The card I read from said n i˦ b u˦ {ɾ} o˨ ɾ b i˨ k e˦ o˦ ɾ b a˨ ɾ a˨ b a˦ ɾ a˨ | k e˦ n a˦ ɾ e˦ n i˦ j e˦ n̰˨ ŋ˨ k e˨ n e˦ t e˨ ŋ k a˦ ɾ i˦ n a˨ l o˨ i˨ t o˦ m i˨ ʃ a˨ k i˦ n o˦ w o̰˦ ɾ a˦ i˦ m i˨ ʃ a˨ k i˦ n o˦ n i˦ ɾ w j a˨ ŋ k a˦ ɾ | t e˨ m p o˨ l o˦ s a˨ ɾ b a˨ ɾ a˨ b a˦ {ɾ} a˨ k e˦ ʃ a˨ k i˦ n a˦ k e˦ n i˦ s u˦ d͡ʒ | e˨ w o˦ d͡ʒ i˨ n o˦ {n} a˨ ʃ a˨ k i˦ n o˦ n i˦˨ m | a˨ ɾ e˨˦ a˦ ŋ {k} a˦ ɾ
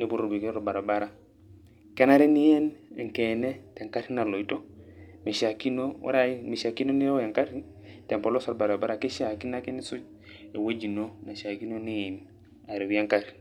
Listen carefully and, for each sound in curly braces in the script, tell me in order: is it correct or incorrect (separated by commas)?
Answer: correct, correct, correct, correct